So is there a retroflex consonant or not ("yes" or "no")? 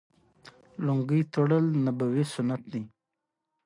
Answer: yes